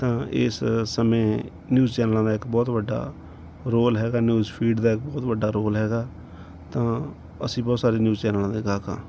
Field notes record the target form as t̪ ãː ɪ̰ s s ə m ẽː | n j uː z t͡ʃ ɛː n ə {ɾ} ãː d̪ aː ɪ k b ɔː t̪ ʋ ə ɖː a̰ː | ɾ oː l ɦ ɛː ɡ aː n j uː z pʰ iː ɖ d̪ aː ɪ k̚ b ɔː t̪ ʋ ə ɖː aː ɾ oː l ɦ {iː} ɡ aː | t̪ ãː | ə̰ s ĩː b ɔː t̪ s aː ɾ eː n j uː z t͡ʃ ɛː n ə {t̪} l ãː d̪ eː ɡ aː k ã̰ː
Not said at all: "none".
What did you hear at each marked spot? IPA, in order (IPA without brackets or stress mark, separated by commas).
l, ɛː, none